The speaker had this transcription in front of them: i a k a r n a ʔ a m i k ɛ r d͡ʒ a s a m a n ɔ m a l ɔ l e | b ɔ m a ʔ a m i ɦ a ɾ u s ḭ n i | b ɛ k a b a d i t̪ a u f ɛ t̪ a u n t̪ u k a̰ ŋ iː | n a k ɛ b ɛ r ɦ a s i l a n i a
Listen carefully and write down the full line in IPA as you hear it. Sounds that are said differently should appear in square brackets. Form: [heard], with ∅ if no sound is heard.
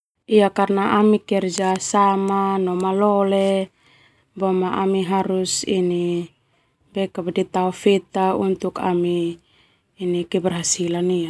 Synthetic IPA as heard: i a k a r n a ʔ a m i k ɛ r d͡ʒ a s a m a n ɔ m a l ɔ l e | b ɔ m a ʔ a m i ɦ a ɾ u s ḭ n i | b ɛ k a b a d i t̪ a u f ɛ t̪ a u n t̪ u k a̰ [m] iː | n [i] k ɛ b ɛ r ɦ a s i l a n i a